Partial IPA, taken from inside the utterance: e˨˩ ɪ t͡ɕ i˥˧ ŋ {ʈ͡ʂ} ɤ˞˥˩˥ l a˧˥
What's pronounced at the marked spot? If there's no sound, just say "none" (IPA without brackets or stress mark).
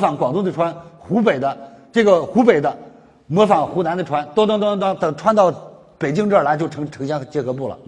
ʈ͡ʂ